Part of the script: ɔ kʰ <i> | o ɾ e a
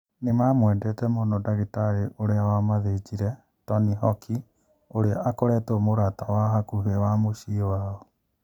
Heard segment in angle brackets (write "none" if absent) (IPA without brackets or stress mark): i